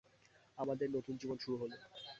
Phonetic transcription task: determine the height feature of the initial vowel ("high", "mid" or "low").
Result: low